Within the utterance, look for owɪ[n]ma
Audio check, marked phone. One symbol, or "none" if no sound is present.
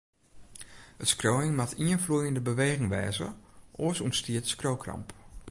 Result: ŋ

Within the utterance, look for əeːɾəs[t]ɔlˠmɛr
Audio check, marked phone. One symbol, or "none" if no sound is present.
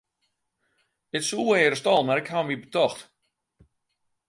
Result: t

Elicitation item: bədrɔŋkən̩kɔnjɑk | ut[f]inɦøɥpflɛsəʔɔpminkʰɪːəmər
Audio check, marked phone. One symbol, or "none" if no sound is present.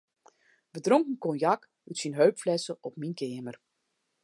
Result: s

